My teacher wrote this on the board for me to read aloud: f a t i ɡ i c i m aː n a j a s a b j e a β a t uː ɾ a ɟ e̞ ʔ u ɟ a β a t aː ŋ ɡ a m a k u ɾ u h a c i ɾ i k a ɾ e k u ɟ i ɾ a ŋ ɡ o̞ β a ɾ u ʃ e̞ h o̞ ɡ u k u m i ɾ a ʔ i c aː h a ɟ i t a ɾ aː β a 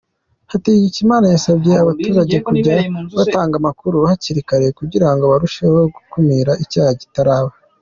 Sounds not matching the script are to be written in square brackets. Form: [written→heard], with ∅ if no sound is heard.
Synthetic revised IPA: [f→h] a t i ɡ i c i m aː n a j a s a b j e a β a t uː ɾ a ɟ e̞ [ʔ→k] u ɟ a β a t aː ŋ ɡ a m a k u ɾ u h a c i ɾ i k a ɾ e k u ɟ i ɾ a ŋ ɡ o̞ β a ɾ u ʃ e̞ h o̞ ɡ u k u m i ɾ a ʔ i c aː h a ɟ i t a ɾ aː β a